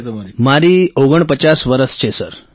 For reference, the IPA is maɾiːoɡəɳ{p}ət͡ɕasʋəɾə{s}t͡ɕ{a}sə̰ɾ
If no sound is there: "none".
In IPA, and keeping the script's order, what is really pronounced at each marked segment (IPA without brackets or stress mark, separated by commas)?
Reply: p, s, e